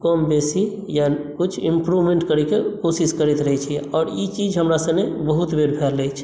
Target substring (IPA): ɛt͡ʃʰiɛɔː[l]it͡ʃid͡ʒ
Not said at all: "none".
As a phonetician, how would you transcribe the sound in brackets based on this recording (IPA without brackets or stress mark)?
ɾ